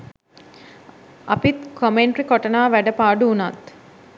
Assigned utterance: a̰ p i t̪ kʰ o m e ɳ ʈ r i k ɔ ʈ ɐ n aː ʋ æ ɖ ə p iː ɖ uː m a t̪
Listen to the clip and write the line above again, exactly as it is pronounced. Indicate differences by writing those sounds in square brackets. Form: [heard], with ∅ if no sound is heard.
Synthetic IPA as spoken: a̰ p i t̪ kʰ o m e ɳ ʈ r i k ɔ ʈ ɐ n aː ʋ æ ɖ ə p [aː] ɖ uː [n] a t̪